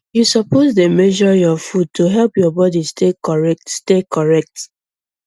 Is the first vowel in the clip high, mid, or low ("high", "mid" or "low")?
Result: high